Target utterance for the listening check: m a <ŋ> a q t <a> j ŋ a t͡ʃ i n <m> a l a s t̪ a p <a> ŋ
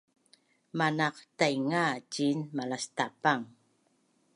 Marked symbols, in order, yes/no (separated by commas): no, yes, yes, yes